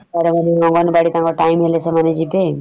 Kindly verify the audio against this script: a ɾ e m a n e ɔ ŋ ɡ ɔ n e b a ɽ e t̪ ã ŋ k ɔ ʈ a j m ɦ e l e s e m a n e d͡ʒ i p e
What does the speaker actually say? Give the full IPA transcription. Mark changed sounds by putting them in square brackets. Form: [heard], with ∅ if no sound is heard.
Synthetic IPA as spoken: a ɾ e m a n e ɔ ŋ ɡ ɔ n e b a ɽ [i] t̪ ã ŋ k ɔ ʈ a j m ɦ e l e s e m a n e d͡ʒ i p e

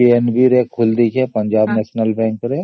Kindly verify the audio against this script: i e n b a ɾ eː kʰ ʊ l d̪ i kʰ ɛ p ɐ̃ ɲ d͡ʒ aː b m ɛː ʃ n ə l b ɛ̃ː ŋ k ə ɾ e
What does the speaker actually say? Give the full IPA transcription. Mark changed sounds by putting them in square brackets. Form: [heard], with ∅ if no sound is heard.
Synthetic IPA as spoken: i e n b [i] ɾ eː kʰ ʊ l d̪ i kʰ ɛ p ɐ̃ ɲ d͡ʒ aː b [n] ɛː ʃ n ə l b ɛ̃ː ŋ k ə ɾ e

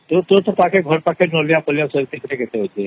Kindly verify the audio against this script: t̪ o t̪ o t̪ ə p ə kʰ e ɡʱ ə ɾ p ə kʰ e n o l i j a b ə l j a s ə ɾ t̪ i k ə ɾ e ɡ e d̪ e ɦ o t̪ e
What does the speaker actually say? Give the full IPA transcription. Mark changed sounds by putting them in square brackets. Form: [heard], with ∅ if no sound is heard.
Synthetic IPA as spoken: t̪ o t̪ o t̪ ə p [a] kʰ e ɡʱ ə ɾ p [a] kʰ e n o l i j a [p] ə l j a s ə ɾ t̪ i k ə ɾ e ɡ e [t̪] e ɦ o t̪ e

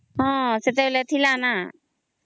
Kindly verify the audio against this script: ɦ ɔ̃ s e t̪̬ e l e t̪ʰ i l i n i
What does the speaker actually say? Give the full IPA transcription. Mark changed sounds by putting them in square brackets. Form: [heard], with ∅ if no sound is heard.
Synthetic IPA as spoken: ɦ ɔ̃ s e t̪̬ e l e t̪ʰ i l [a] n [a]

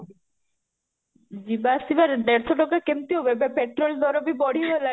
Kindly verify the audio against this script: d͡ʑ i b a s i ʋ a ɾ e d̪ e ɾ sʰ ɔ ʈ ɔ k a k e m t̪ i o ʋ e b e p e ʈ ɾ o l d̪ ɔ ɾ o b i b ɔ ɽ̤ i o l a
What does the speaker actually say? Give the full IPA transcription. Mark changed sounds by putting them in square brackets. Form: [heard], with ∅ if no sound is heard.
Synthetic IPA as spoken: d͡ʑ i b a s i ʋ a ɾ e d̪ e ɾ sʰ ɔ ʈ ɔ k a k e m t̪ i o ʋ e b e p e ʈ ɾ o l d̪ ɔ ɾ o b i b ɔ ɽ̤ i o l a

